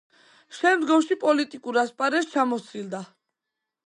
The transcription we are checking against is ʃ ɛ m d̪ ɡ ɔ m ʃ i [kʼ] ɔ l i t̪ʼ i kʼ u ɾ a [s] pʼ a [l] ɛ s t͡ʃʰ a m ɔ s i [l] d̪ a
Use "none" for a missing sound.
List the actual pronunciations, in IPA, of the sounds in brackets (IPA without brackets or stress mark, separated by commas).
pʼ, s, ɾ, l